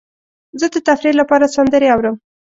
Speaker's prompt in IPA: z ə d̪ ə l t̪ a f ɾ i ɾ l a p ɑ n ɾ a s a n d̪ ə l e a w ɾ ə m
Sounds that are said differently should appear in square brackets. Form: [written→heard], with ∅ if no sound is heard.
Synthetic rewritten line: z ə d̪ ə [l→∅] t̪ a f ɾ i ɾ l a p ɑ [n→∅] ɾ a s a n d̪ ə [l→ɾ] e a w ɾ ə m